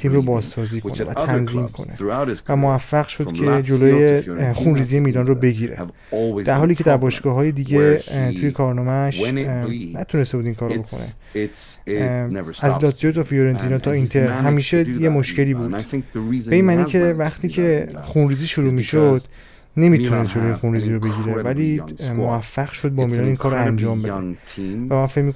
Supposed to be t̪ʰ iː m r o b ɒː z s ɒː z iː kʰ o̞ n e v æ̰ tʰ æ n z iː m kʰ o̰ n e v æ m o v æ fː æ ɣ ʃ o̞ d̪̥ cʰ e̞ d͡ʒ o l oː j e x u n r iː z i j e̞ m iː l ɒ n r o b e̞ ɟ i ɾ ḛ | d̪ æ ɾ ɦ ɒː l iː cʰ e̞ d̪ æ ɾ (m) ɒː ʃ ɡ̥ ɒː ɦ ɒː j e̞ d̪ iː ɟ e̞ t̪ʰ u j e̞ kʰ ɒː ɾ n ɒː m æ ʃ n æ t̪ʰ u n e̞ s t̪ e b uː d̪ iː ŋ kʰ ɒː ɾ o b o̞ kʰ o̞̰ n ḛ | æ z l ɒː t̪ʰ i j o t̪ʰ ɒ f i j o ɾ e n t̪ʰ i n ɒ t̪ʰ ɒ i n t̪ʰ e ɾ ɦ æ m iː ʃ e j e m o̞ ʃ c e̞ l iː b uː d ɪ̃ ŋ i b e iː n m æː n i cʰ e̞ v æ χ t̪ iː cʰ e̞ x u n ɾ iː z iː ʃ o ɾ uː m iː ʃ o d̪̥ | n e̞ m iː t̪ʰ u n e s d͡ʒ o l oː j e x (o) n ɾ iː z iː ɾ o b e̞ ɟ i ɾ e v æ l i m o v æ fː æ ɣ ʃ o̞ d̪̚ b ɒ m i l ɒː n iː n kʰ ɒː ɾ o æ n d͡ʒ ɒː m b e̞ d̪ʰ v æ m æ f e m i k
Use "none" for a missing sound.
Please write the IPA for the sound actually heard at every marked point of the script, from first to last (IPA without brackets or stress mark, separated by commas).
b, u